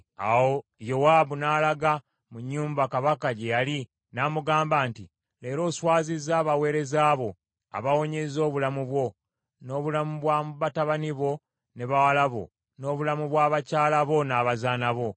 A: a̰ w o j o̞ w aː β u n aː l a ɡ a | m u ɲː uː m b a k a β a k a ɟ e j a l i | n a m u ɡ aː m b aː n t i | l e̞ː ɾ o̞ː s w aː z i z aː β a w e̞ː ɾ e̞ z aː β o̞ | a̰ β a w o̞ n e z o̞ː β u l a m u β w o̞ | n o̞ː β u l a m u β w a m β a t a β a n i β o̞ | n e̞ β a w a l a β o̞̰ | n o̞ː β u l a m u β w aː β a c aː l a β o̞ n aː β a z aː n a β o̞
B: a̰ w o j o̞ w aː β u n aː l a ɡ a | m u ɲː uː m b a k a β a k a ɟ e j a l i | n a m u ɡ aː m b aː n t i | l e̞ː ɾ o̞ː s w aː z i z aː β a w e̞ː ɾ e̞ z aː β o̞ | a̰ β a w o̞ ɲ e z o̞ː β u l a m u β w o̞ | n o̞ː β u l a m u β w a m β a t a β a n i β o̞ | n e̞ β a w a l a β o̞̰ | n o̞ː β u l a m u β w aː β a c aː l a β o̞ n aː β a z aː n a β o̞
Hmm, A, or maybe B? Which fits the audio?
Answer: B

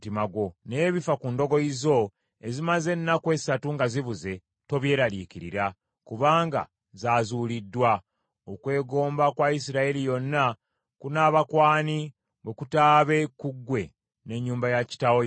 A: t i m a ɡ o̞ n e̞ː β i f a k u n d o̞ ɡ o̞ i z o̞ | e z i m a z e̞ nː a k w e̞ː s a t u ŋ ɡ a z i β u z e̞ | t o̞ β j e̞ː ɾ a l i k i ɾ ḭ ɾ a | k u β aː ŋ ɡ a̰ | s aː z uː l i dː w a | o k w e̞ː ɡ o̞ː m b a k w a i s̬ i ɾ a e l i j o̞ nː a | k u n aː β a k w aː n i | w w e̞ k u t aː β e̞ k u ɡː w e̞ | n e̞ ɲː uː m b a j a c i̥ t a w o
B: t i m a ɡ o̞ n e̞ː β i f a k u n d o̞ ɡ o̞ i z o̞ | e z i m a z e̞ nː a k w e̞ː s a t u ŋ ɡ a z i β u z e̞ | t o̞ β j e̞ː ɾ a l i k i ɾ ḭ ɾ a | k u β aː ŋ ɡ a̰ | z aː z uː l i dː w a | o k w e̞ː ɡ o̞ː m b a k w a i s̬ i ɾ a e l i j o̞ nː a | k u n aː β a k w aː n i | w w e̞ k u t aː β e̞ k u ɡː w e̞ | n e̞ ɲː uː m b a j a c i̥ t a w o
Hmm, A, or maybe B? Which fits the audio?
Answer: B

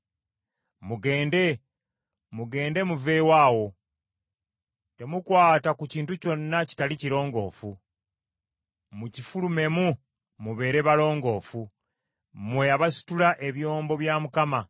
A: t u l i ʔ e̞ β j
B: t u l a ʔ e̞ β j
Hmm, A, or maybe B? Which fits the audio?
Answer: B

